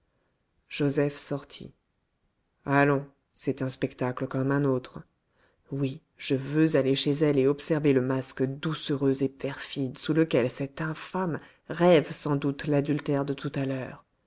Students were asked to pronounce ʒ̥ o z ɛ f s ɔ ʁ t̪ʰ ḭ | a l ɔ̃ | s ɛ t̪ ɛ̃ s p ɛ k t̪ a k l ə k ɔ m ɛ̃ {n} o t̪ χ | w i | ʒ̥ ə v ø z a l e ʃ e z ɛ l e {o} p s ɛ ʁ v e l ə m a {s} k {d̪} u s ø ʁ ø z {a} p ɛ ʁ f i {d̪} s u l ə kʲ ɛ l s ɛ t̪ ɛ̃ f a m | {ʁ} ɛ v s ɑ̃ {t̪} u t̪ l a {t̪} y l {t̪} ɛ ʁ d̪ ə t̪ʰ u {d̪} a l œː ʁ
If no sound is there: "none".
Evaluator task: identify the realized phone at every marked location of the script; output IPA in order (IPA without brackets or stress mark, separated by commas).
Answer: n, ɔ, s, d̪, e, d̪, ʁ, d̪, d̪, t̪, t̪